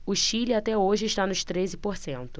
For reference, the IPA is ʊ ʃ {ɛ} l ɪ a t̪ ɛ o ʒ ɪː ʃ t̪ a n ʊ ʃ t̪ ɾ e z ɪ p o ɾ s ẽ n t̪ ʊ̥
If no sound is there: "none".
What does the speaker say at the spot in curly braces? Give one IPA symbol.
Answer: i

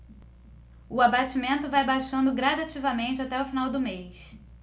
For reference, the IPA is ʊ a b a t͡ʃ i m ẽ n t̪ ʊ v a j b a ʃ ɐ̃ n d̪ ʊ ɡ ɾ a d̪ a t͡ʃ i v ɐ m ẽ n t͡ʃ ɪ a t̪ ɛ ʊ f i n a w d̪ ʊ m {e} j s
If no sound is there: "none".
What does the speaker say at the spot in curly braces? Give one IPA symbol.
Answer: e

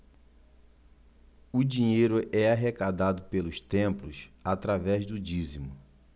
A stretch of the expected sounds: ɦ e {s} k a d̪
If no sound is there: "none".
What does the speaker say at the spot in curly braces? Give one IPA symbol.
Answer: none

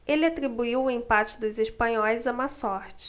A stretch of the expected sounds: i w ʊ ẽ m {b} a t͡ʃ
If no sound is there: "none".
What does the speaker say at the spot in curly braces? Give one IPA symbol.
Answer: p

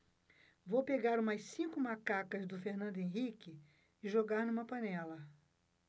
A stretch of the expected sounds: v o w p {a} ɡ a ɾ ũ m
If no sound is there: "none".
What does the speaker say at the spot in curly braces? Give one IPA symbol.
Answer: e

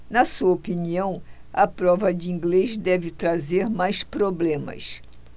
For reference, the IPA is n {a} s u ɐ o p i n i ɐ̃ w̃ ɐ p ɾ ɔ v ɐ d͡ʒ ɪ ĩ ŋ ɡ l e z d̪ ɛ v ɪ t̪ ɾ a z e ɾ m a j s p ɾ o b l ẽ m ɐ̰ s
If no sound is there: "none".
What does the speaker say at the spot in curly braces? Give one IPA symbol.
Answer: ɐ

